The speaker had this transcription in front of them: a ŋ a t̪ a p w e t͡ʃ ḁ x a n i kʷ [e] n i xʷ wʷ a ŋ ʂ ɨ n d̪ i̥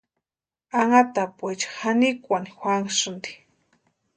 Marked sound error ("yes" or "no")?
yes